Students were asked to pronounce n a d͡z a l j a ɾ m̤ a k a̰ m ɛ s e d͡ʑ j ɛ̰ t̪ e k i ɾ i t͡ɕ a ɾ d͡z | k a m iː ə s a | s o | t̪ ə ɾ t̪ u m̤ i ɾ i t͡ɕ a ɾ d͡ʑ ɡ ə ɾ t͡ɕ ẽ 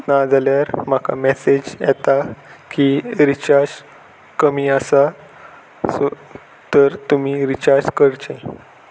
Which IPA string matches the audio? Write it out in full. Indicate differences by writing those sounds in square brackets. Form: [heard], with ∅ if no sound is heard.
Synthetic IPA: n a d͡z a l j a ɾ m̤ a k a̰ m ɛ s e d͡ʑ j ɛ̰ t̪ [a] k i ɾ i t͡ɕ a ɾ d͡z | k [ə] m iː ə s a | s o | t̪ ə ɾ t̪ u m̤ i ɾ i t͡ɕ a ɾ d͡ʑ [k] ə ɾ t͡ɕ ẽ